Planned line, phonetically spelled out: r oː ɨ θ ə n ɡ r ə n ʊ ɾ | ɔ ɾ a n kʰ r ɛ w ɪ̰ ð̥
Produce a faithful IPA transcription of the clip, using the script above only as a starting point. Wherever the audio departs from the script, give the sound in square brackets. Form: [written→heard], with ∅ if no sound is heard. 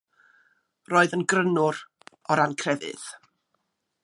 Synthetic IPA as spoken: r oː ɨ [θ→ð] ə n ɡ r ə n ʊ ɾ | ɔ ɾ a n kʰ r ɛ [w→v] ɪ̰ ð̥